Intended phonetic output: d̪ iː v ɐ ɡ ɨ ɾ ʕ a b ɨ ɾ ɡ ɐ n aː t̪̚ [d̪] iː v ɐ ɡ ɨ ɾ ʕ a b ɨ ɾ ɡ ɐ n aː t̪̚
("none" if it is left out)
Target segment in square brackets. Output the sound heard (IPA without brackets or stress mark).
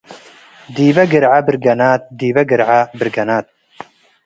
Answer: d̪